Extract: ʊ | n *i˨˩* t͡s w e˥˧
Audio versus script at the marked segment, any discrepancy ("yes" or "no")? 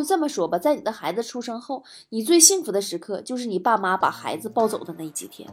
no